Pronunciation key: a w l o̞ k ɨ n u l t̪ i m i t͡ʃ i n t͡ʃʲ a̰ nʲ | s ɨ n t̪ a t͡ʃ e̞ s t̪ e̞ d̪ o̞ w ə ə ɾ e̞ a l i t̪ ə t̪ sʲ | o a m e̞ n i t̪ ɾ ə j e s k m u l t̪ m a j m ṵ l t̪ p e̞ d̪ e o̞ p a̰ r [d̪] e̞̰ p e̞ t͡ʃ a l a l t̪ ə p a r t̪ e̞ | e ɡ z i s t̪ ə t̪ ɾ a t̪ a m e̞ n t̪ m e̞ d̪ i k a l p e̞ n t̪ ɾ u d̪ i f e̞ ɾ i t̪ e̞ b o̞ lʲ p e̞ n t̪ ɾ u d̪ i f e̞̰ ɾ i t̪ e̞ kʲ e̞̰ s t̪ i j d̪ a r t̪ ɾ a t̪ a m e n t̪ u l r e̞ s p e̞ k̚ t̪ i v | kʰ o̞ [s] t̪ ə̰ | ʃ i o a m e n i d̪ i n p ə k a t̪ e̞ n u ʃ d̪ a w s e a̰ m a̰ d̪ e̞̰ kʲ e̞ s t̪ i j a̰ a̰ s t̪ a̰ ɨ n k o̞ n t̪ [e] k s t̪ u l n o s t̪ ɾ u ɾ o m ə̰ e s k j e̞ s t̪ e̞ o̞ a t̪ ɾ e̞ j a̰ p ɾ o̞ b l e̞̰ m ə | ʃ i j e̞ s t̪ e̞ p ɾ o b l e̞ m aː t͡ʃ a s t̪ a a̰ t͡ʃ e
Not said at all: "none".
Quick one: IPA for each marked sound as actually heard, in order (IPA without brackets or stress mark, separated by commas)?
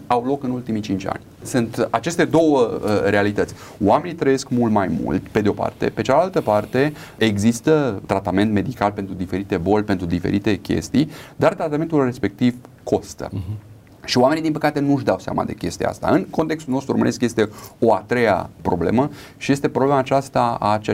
t̪, s, e